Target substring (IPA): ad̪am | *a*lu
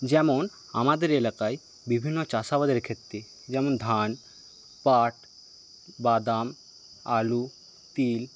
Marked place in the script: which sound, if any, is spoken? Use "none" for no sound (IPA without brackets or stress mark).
a